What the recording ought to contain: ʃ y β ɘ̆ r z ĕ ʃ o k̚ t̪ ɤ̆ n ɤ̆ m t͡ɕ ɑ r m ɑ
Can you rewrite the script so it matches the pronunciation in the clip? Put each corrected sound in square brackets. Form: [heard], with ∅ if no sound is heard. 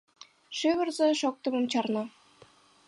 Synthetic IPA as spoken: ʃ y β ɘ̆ r z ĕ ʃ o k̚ t̪ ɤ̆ [m] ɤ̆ m t͡ɕ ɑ r [n] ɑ